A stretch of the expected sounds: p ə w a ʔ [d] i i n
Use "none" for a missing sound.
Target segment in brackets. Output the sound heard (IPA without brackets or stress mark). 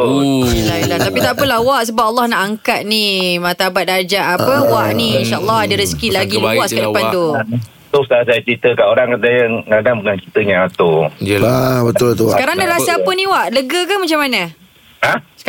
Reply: n